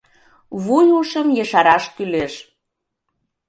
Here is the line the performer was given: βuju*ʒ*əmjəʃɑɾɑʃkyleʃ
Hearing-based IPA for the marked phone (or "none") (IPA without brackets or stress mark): ʃ